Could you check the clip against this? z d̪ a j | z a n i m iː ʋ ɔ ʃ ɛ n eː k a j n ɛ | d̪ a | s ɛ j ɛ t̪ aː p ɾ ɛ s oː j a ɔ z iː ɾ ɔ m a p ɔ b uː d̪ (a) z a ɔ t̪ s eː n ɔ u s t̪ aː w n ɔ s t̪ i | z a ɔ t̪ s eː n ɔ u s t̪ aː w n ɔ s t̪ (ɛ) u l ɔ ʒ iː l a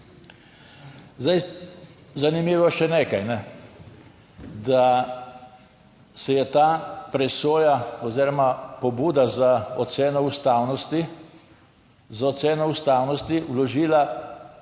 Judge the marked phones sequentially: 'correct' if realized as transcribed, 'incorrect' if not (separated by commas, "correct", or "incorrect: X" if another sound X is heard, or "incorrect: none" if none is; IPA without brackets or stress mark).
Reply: correct, incorrect: i